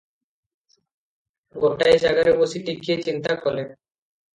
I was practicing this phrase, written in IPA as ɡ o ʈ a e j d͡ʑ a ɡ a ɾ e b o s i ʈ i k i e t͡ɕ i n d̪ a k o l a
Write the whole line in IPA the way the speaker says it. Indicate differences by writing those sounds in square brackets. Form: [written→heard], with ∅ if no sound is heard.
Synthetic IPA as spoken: ɡ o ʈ a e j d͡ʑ a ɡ a ɾ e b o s i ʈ i k i e t͡ɕ i n [d̪→t̪] a k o l [a→e]